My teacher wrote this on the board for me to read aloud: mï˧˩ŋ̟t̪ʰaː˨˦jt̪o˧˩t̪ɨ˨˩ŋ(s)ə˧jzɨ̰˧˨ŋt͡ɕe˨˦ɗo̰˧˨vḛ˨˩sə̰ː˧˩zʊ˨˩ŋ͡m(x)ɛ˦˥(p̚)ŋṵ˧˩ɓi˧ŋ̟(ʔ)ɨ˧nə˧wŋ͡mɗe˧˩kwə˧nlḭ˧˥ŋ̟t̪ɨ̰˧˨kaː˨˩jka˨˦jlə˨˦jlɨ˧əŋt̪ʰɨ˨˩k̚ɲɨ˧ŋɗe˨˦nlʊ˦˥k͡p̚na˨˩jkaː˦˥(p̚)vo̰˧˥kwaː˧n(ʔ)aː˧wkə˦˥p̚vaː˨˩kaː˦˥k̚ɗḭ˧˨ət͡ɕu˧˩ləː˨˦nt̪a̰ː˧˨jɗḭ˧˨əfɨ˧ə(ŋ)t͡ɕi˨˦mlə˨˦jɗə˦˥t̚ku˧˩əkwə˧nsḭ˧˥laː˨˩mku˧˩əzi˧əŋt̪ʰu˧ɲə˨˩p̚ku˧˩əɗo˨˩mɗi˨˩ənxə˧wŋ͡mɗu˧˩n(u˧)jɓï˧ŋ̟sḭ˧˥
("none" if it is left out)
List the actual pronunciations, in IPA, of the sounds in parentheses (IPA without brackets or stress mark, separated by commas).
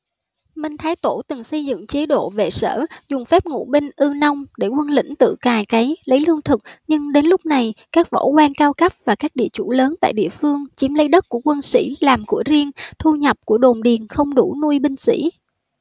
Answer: s, f, p̚, ʔ, k̚, k, ŋ, u˧